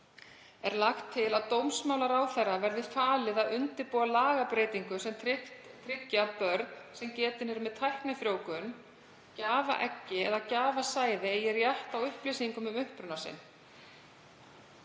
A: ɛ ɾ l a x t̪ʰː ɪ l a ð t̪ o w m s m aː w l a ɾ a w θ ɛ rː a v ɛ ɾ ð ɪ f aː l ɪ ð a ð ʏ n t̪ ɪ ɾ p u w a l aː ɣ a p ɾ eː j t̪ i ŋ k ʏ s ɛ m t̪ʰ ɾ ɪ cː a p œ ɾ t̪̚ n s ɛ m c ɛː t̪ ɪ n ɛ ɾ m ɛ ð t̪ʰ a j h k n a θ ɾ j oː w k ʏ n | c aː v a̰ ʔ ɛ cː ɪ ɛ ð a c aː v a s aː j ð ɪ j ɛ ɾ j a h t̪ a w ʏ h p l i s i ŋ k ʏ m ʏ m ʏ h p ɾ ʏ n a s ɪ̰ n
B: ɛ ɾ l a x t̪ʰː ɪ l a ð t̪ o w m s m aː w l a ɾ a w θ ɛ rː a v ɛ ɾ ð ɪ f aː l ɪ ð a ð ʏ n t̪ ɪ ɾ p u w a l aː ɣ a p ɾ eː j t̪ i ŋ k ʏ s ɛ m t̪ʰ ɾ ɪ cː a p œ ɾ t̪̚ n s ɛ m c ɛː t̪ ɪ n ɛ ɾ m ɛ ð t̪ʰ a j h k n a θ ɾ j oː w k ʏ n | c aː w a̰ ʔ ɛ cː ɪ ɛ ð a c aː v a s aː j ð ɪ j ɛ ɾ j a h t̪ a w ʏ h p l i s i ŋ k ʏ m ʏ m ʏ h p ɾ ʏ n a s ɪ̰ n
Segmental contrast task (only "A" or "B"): A